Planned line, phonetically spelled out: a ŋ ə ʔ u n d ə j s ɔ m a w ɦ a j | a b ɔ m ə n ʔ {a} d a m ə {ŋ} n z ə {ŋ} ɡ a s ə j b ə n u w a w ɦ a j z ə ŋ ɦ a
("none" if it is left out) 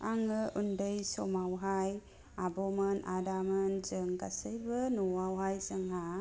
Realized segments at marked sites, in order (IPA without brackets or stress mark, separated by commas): a, none, ŋ